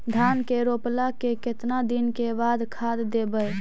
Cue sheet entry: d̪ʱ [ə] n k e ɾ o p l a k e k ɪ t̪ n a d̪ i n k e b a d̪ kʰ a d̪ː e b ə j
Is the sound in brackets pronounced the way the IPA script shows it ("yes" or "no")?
no